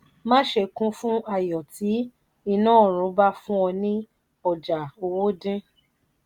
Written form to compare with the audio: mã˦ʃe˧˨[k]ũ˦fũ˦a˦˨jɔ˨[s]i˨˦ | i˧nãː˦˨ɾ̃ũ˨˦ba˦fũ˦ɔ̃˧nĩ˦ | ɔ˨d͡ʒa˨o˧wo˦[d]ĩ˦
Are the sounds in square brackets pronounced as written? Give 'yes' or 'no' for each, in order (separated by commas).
yes, no, yes